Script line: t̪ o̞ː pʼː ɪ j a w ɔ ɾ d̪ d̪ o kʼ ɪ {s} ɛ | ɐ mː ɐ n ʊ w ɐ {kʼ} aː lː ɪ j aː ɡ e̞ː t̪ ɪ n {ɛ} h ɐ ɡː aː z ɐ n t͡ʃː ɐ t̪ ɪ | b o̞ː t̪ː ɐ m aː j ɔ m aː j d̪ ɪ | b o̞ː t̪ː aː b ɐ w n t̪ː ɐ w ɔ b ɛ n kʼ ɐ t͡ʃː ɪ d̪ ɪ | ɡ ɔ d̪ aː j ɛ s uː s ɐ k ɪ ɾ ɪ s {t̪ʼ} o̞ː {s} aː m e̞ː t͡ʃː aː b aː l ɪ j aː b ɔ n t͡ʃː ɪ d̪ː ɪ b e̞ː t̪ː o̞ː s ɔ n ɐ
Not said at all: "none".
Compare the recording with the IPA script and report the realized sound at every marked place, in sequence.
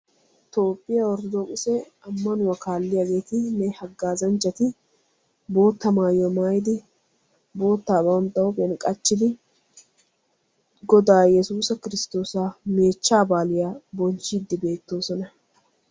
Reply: s, k, ɛ, t̪, s

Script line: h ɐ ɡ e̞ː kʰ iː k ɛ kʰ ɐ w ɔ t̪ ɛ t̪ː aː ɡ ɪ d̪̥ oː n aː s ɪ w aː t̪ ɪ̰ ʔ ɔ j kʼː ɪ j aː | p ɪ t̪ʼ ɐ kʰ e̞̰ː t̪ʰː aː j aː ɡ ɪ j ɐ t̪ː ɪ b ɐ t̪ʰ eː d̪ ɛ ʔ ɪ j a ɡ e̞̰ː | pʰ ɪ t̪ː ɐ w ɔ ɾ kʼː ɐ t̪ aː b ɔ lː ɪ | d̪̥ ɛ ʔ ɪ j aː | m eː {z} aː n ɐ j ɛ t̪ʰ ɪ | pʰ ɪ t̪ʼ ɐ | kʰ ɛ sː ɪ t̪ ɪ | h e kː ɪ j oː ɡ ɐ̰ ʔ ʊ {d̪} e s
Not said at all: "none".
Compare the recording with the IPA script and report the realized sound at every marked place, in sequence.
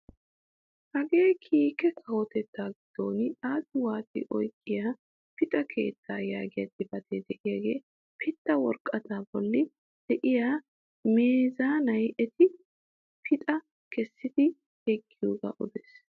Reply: z, d̪

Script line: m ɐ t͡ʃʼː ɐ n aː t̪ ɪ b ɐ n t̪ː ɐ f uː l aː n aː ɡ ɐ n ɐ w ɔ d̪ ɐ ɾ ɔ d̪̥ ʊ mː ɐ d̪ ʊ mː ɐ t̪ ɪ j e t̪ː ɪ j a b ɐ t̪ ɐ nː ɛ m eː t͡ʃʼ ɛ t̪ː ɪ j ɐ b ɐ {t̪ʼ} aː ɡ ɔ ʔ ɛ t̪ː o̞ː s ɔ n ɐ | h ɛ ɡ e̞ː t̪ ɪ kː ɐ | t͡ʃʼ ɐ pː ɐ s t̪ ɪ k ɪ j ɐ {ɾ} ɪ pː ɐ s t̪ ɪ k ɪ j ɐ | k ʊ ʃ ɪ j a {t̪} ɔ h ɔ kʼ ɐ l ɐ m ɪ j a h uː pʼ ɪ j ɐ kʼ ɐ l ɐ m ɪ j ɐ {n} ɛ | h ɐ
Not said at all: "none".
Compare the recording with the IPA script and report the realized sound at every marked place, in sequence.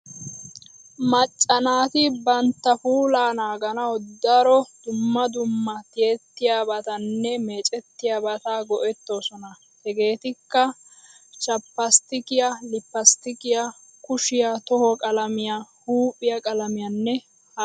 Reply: t̪, l, t̪, nː

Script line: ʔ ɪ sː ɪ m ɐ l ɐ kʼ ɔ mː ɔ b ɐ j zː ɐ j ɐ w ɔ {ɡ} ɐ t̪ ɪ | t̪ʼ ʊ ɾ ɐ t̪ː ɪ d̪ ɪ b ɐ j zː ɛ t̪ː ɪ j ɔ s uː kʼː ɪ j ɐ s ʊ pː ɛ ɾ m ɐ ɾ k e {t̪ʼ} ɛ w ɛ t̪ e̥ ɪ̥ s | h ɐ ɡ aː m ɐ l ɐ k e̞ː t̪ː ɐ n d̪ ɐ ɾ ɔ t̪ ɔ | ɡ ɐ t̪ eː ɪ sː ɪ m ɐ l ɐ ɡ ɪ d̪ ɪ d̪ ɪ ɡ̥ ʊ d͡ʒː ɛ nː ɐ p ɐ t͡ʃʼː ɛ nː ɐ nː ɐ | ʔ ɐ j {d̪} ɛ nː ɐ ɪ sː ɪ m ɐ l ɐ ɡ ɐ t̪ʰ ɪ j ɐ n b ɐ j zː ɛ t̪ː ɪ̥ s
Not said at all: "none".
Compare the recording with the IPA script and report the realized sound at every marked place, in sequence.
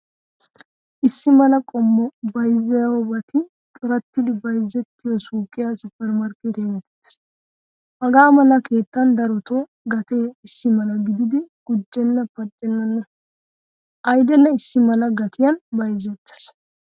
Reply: b, t̪, d̪

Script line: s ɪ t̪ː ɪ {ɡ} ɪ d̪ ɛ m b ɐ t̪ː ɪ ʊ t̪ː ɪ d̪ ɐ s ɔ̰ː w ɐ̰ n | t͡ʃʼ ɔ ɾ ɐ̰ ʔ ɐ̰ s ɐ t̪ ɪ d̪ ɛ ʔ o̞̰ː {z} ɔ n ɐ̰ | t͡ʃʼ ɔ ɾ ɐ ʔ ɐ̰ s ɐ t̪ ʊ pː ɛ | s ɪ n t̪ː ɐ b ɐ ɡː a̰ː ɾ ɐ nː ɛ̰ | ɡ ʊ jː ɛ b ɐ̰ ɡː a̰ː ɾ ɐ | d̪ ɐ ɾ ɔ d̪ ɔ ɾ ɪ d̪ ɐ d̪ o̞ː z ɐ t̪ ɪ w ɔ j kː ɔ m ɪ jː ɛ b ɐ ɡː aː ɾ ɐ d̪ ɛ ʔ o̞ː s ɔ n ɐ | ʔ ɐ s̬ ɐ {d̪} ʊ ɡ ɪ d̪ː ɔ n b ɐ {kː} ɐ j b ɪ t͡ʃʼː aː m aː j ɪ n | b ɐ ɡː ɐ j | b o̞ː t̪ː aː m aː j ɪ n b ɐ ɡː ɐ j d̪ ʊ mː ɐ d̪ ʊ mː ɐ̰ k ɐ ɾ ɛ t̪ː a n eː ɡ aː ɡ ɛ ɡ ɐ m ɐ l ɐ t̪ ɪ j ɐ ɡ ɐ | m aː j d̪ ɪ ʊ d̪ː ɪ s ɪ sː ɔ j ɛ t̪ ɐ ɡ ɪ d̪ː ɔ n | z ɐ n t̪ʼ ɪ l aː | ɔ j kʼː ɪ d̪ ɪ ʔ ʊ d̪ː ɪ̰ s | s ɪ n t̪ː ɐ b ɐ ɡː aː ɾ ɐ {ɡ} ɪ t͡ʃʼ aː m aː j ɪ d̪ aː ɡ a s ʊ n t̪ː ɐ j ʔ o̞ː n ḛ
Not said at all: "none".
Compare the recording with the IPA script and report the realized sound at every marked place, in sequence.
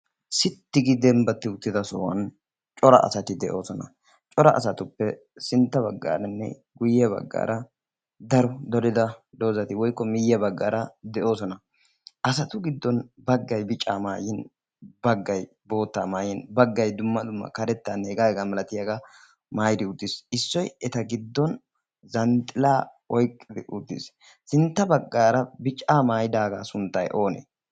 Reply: ɡ, s, t̪, ɡː, b

